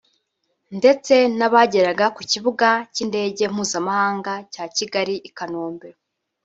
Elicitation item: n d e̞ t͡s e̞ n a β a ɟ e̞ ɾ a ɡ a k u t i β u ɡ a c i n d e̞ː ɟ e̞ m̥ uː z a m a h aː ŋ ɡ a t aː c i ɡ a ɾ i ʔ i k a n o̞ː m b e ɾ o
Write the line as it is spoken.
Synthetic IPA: n d e̞ t͡s e̞ n a β a ɟ e̞ ɾ a ɡ a k u c i β u ɡ a c i n d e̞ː ɟ e̞ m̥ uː z a m a h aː ŋ ɡ a c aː c i ɡ a ɾ i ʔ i k a n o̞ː m b e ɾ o